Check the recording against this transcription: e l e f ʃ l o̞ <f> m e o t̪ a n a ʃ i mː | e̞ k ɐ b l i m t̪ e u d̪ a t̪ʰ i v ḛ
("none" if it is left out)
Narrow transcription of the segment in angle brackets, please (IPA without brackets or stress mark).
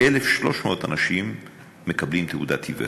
ʃ